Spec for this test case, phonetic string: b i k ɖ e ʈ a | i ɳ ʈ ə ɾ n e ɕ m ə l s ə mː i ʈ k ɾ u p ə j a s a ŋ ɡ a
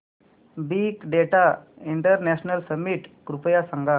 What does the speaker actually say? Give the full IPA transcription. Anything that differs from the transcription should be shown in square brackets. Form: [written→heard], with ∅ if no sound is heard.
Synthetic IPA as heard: b i k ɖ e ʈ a | i ɳ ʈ ə ɾ n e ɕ [m→n] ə l s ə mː i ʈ k ɾ u p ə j a s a ŋ ɡ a